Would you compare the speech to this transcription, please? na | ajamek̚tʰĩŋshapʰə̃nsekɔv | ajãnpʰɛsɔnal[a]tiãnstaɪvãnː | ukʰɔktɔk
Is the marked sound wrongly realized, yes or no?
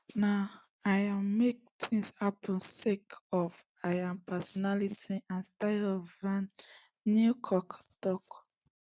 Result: yes